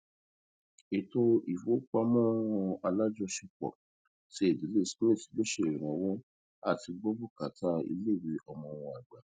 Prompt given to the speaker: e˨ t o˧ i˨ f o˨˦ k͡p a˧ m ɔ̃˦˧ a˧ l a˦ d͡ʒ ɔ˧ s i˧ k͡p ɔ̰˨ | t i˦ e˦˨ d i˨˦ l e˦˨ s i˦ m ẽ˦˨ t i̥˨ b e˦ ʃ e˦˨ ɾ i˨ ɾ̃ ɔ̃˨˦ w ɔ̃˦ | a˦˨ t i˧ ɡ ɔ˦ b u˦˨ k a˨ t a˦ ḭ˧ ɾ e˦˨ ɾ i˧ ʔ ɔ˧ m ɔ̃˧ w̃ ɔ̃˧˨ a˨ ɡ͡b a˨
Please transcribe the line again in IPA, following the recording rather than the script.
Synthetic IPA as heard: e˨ t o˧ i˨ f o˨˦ k͡p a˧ m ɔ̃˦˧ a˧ l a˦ d͡ʒ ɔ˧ ʃ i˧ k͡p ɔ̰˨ | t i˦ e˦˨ d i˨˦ l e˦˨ s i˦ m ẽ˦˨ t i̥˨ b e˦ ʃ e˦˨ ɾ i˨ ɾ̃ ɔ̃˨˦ w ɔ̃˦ | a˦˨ t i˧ ɡ͡b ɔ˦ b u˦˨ k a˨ t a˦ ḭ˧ l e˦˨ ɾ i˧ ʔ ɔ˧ m ɔ̃˧ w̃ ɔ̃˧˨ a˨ ɡ͡b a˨